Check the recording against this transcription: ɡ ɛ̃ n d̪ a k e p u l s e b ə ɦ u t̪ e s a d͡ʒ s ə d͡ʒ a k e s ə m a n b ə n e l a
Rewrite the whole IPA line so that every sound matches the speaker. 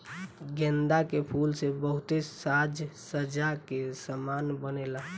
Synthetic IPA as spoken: ɡ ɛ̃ n d̪ a k e pʰ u l s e b ə ɦ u t̪ e s a d͡ʒ s ə d͡ʒ a k e s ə m a n b ə n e l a